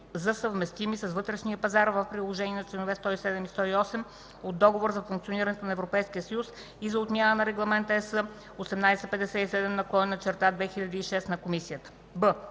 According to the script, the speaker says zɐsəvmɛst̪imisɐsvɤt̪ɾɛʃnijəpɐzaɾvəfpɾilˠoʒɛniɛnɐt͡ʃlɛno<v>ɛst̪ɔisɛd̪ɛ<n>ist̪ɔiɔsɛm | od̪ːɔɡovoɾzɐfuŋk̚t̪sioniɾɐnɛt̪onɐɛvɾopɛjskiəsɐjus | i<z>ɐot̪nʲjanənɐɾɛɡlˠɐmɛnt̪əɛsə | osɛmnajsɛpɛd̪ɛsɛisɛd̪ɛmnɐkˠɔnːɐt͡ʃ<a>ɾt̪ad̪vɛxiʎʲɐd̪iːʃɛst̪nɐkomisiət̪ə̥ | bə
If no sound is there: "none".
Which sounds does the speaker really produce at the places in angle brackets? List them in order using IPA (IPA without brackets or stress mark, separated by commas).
v, m, z, ɛ